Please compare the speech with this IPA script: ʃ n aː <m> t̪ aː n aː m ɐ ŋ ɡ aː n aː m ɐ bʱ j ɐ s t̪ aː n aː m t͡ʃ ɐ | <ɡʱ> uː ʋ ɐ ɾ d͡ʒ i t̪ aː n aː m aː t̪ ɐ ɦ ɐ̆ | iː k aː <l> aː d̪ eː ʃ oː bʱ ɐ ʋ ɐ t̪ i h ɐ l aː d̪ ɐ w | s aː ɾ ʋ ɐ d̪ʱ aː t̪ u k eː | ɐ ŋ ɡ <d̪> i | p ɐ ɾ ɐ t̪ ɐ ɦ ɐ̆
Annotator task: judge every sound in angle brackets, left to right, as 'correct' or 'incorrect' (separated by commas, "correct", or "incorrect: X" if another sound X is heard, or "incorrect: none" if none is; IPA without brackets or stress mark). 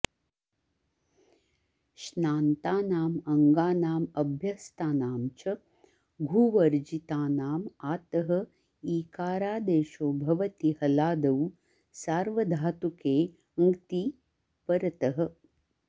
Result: incorrect: n, correct, incorrect: ɾ, incorrect: t̪